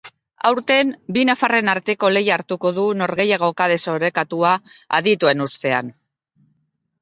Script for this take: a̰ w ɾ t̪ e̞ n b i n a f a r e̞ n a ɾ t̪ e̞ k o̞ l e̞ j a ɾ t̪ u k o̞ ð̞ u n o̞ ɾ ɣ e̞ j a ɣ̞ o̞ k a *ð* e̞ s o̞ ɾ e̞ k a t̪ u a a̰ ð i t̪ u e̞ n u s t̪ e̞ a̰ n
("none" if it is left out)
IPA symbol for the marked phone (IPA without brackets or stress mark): ð